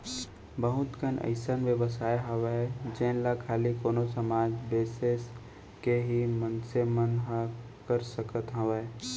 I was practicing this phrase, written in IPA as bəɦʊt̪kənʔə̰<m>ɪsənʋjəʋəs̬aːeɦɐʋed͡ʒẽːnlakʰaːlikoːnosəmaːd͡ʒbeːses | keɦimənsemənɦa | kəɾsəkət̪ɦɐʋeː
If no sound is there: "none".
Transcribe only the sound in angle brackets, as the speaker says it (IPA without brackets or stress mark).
none